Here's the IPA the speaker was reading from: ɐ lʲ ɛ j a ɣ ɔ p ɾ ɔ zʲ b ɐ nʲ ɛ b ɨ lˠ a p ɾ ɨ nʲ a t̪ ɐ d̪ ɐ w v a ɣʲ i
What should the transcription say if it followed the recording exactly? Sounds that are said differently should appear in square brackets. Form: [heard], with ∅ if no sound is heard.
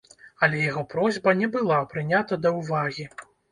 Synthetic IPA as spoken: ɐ lʲ ɛ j a ɣ ɔ p ɾ ɔ zʲ b ɐ nʲ ɛ b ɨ lˠ a p ɾ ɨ nʲ a t̪ ɐ d̪ ɐ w v a ɣʲ i